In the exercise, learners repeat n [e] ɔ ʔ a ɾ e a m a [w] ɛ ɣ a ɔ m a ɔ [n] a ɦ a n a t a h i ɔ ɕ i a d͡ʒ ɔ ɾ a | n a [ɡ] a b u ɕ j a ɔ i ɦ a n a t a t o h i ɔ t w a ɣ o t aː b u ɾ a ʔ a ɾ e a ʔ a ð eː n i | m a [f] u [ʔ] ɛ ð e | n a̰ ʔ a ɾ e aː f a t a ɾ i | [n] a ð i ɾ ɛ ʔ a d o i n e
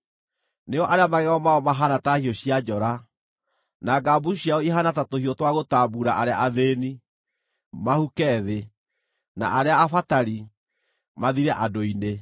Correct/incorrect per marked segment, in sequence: correct, incorrect: ɣ, incorrect: m, correct, incorrect: h, incorrect: k, incorrect: m

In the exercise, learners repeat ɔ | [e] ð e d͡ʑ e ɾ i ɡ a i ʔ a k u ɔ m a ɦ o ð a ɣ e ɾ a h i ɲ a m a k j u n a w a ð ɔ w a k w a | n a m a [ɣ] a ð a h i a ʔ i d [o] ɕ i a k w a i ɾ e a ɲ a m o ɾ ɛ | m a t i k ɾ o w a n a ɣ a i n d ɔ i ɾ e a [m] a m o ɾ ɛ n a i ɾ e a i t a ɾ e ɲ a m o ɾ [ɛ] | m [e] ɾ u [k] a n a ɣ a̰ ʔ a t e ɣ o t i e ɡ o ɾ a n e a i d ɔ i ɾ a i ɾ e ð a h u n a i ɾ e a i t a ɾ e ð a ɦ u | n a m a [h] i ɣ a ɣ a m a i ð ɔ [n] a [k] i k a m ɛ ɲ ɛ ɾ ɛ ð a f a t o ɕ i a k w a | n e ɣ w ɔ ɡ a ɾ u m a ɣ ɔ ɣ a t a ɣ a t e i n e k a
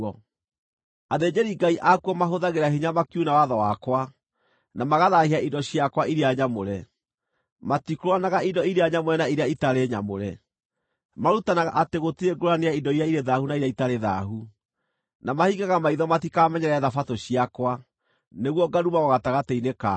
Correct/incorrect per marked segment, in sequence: incorrect: a, correct, incorrect: ɔ, incorrect: ɲ, correct, incorrect: a, incorrect: t, correct, incorrect: m, incorrect: t

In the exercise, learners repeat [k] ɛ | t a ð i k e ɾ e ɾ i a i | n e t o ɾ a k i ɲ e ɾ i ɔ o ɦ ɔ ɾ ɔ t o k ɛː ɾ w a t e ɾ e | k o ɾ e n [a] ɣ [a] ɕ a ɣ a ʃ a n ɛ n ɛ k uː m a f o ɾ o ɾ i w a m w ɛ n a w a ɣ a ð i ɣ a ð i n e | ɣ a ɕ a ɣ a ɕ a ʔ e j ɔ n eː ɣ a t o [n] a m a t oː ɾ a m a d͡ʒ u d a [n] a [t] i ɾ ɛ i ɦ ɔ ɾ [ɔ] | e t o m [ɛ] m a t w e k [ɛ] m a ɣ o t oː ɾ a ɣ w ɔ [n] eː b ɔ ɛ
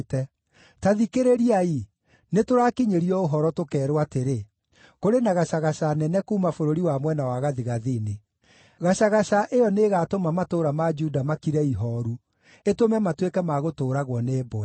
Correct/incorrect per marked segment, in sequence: incorrect: t, correct, correct, incorrect: m, incorrect: m, incorrect: k, incorrect: u, correct, correct, correct

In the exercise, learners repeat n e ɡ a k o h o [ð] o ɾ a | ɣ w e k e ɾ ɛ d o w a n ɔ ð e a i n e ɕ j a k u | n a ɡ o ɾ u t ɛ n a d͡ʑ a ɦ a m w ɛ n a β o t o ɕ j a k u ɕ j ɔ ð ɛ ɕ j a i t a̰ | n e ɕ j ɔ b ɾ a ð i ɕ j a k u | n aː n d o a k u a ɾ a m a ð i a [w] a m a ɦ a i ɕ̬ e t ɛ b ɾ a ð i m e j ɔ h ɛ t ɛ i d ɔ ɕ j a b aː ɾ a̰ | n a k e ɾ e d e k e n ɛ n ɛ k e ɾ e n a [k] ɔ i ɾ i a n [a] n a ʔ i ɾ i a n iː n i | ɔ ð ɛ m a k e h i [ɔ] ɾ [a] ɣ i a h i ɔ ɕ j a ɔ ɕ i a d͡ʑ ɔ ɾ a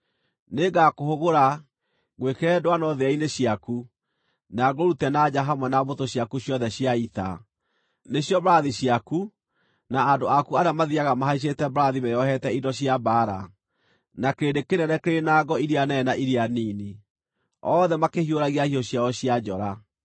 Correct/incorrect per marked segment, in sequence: incorrect: ɣ, incorrect: ɣ, incorrect: ɡ, incorrect: ɛ, incorrect: o, correct

